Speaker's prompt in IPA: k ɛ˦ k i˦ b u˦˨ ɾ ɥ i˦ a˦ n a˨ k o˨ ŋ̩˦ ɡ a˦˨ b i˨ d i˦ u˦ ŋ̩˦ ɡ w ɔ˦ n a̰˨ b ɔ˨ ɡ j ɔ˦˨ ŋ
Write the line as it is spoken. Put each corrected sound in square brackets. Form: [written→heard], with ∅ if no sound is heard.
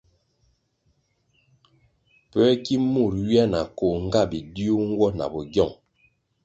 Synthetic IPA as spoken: [k→p] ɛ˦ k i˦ [b→m] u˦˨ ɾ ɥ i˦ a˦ n a˨ k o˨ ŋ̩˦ ɡ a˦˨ b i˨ d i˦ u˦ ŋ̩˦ ɡ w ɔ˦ n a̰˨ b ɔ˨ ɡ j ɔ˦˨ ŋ